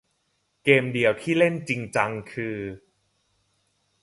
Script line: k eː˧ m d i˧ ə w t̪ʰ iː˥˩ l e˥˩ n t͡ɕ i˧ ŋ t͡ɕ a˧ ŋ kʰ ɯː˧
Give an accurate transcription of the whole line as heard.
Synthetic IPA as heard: k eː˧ m d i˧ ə w t̪ʰ iː˥˩ l e˥˩ n t͡ɕ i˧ ŋ t͡ɕ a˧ ŋ kʰ ɯː˧